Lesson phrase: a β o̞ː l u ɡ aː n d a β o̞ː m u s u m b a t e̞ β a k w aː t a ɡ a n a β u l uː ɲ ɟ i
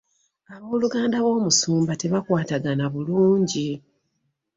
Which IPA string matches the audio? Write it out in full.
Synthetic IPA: a β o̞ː l u ɡ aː n d a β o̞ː m u s uː m b a t e̞ β a k w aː t a ɡ a n a β u l uː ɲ ɟ i